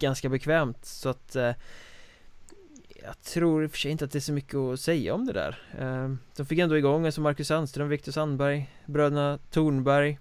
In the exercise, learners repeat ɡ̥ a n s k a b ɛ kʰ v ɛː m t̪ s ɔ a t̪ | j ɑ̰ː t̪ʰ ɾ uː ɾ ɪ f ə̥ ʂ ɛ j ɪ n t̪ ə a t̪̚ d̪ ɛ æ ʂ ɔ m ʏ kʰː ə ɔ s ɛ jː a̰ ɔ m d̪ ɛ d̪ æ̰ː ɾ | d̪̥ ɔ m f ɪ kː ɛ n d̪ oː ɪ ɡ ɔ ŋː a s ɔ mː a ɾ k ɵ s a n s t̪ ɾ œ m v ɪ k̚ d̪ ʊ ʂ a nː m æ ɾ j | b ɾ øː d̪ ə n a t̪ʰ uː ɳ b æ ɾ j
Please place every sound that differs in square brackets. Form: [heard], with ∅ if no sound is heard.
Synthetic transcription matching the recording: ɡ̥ a n s k a b ɛ kʰ v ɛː m t̪ s ɔ a t̪ | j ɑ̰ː t̪ʰ ɾ uː ɾ ɪ f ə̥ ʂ ɛ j ɪ n t̪ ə a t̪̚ d̪ ɛ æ ʂ ɔ m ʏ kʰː ə ɔ s ɛ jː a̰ ɔ m d̪ ɛ d̪ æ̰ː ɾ | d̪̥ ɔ m f ɪ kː ɛ n d̪ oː ɪ ɡ ɔ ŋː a s ɔ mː a ɾ k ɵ s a n s t̪ ɾ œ m v ɪ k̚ [t̪] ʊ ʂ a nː [b] æ ɾ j | b ɾ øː d̪ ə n a t̪ʰ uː ɳ b æ ɾ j